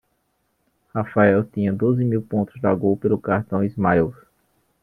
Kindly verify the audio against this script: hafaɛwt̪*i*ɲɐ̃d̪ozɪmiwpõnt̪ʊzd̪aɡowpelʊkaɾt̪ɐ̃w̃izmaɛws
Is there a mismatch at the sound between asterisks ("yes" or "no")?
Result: yes